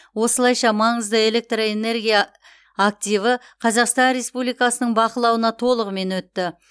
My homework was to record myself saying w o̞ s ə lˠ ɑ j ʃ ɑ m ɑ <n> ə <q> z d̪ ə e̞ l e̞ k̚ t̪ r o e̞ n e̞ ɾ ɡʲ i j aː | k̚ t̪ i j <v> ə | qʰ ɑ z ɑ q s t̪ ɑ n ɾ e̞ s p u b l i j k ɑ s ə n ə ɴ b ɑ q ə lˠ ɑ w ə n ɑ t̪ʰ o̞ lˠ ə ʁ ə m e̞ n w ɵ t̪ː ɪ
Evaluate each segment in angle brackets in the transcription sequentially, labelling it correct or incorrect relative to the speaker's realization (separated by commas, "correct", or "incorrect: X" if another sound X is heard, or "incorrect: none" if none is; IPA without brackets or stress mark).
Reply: incorrect: ɴ, incorrect: none, correct